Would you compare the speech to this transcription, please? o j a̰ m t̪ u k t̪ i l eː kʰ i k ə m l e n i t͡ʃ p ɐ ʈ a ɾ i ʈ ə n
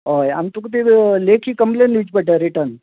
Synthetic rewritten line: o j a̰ m t̪ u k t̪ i l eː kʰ i k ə m l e n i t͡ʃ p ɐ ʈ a ɾ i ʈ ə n